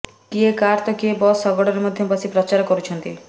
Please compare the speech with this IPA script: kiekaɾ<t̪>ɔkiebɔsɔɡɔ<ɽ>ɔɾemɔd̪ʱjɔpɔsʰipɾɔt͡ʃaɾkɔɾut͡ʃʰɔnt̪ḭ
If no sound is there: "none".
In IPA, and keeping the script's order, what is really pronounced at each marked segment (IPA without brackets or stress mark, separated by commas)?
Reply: t̪, ɽ